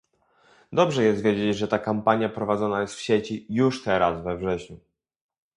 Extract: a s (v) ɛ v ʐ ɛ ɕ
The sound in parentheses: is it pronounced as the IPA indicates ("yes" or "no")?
yes